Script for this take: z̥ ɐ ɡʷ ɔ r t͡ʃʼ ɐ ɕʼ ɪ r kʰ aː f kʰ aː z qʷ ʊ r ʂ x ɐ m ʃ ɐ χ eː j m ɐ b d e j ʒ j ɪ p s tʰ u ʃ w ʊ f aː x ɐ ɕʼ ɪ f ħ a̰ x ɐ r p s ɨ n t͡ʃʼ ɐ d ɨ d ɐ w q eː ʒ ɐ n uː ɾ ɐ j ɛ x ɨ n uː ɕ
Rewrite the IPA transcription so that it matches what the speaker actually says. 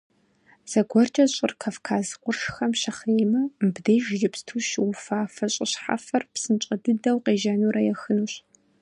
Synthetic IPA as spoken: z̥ ɐ ɡʷ ɔ r t͡ʃʼ ɐ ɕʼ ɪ r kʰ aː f kʰ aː z qʷ ʊ r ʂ x ɐ m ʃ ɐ χ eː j m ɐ b d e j ʒ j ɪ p s tʰ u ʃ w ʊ f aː f ɐ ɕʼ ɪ ɕ ħ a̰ f ɐ r p s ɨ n t͡ʃʼ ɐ d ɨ d ɐ w q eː ʒ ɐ n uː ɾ ɐ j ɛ x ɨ n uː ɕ